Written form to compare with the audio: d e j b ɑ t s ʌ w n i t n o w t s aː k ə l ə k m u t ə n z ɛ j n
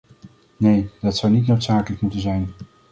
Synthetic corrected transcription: n e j d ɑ t s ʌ w n i t n o w t s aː k ə l ə k m u t ə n z ɛ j n